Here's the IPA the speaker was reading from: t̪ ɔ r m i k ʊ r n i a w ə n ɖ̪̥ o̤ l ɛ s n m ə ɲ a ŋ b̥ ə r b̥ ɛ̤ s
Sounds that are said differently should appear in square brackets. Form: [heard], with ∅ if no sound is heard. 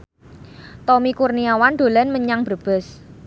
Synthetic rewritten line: t̪ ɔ [∅] m i k [u] r n i a w [a] n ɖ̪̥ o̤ l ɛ [∅] n m ə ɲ a ŋ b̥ ə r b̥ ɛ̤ s